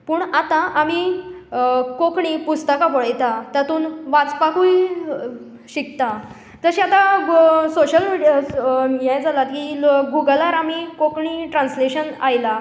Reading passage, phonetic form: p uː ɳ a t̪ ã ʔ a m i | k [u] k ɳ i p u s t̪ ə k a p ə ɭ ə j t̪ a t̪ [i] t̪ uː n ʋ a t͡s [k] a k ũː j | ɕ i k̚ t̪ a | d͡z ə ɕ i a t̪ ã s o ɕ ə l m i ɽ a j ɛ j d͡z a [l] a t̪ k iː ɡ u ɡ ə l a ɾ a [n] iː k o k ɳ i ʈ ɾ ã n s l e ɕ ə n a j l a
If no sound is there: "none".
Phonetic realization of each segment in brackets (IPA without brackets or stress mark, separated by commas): o, a, p, l, m